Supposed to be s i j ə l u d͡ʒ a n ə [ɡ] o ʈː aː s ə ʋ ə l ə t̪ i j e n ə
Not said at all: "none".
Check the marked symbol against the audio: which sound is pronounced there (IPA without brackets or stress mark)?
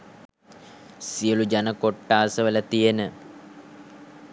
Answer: k